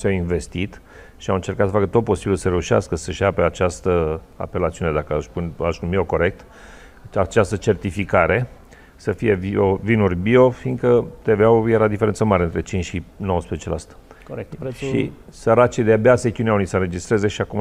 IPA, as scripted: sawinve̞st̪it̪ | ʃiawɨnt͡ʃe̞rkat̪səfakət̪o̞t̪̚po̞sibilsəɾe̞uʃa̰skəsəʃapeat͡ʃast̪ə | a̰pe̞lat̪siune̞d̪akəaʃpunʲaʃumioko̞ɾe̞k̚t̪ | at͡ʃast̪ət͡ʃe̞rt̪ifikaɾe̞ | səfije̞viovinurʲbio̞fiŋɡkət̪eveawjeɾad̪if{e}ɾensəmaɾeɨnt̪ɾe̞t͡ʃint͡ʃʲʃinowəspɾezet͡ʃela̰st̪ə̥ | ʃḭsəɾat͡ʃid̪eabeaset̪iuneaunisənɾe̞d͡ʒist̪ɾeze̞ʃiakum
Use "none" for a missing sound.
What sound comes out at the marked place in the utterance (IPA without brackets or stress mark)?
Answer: e